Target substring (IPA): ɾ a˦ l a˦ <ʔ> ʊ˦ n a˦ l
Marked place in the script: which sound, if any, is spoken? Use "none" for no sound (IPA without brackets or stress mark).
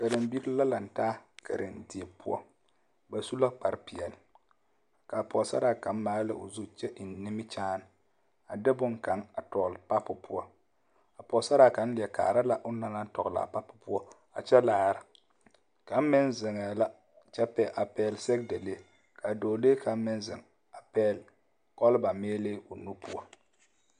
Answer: ʔ